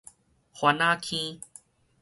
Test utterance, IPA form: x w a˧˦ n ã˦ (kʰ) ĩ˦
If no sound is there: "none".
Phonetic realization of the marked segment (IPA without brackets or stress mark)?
kʰ